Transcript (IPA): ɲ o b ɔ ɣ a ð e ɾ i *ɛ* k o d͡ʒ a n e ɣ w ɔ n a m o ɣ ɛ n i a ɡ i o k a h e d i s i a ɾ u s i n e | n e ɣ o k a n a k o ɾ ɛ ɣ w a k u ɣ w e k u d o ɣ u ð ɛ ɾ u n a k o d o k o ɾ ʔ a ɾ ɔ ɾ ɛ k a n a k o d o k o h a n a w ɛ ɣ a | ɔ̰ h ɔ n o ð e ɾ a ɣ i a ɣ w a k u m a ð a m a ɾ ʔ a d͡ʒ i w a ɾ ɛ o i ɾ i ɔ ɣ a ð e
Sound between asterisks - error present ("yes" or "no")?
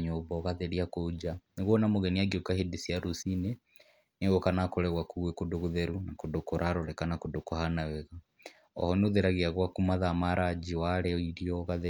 yes